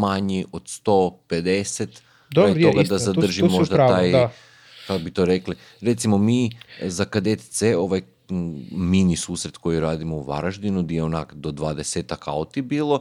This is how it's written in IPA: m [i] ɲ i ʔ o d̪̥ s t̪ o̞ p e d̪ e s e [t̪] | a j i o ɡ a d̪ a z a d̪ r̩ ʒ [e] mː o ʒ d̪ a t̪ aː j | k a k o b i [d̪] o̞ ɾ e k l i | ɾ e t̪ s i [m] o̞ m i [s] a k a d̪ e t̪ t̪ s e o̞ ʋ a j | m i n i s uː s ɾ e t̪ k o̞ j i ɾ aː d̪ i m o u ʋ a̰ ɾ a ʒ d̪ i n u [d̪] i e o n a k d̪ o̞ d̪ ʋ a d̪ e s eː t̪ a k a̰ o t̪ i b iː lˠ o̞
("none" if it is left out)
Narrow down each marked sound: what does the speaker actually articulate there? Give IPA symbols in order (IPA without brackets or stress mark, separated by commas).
a, t̪, i, t̪, m, z, d̪